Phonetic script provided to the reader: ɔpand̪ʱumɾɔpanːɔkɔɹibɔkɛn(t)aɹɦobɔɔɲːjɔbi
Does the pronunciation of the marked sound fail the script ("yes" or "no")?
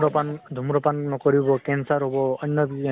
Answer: yes